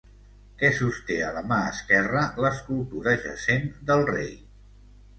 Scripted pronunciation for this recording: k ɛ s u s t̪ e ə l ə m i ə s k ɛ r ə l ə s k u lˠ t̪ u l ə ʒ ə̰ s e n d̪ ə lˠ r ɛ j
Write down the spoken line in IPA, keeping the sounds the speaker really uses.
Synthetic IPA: k ɛ s u s t̪ e ə l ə m a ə s k ɛ r ə l ə s k u lˠ t̪ u ɾ ə ʒ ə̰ s e n d̪ ə lˠ r e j